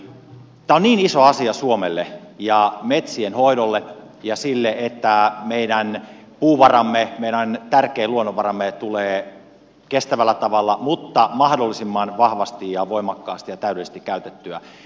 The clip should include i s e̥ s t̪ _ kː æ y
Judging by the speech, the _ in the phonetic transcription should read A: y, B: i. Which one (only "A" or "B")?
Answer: B